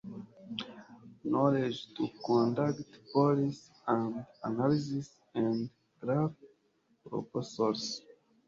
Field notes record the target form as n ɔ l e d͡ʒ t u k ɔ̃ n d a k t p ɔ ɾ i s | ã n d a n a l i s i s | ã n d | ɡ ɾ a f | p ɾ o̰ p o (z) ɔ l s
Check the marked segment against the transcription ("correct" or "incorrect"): incorrect